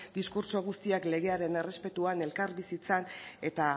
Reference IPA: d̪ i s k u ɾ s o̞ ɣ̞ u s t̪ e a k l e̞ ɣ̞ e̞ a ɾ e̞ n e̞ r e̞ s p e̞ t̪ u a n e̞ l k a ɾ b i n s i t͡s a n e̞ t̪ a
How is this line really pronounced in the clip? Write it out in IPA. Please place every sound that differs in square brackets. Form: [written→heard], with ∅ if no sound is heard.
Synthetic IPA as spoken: d̪ i s k u ɾ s o̞ ɣ̞ u s t̪ [e→i] a k l e̞ ɣ̞ e̞ a ɾ e̞ n e̞ r e̞ s p e̞ t̪ u a n e̞ l k a ɾ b i [n→∅] s i t͡s a n e̞ t̪ a

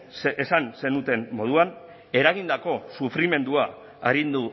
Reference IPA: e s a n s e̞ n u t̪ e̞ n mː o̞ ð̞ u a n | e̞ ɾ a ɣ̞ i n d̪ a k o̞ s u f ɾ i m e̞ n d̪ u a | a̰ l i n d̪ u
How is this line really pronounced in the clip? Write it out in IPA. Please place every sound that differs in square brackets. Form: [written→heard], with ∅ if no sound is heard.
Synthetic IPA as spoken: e s a n s e̞ n u t̪ e̞ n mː o̞ ð̞ u a n | e̞ ɾ a ɣ̞ i n d̪ a k o̞ s u f ɾ i m e̞ n d̪ u a | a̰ [l→ɾ] i n d̪ u

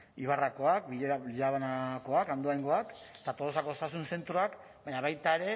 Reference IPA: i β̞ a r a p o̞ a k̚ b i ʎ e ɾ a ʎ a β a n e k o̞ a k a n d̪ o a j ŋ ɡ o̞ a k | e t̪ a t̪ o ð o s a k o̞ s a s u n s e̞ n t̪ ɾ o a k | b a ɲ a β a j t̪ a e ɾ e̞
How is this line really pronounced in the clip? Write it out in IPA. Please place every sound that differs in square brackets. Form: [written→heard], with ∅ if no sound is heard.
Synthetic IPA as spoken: i β̞ a r a [p→k] o̞ a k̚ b i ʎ e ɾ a ʎ a β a n [e→a] k o̞ a k a n d̪ o a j ŋ ɡ o̞ a k | e t̪ a t̪ o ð o s a k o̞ s a s u n s e̞ n t̪ ɾ o a k | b a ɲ a β a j t̪ a e ɾ e̞

